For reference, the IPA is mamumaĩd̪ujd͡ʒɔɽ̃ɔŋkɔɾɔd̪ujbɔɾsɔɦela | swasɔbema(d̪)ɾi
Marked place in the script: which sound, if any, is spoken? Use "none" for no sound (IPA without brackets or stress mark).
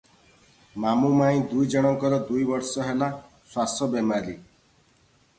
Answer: none